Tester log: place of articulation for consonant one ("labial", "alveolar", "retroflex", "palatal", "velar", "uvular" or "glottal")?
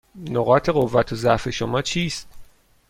alveolar